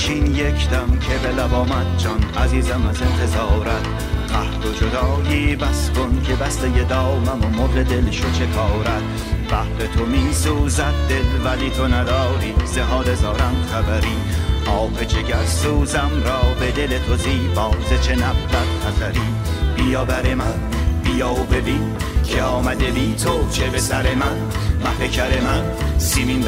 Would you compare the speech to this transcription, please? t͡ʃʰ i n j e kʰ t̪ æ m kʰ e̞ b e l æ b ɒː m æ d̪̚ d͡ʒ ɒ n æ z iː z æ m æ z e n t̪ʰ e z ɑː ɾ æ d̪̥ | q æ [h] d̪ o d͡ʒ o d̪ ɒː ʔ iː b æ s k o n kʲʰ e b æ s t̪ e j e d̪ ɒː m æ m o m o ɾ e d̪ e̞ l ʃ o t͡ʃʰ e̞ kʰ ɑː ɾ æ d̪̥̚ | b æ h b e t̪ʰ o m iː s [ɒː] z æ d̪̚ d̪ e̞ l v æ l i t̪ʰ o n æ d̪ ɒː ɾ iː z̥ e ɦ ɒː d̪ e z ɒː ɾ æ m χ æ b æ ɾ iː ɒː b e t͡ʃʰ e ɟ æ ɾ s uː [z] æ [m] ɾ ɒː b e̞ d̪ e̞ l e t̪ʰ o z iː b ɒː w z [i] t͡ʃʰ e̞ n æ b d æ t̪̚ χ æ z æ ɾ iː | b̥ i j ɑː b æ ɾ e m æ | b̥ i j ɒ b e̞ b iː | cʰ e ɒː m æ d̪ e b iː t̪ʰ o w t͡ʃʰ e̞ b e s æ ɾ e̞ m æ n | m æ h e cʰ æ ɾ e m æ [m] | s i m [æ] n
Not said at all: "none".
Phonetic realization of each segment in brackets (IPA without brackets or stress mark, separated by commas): h, uː, z, m, e, n, i